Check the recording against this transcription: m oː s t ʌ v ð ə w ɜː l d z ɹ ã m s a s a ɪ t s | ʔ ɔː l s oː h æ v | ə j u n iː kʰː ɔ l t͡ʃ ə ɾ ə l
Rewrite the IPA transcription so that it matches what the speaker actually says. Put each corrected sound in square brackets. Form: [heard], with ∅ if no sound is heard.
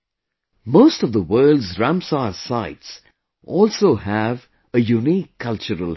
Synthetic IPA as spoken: m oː s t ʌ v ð ə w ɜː l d z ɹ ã m s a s a ɪ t s | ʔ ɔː l s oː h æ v | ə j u n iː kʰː [ʌ] l t͡ʃ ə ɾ ə l